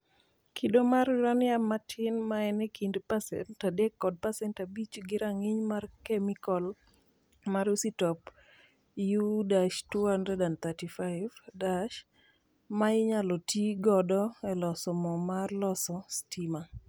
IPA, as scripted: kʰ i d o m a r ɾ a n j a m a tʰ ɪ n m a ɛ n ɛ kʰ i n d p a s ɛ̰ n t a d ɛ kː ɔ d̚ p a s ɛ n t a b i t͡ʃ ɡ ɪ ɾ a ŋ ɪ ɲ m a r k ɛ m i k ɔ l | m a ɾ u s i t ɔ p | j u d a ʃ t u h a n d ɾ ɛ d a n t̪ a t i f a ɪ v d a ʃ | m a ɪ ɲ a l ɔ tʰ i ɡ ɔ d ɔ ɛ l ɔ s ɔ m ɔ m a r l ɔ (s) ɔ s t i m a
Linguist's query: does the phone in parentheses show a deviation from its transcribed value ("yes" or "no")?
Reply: no